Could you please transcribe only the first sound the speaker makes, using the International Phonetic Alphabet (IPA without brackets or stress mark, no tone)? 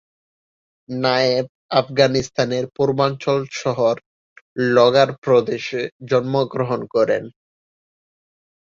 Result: n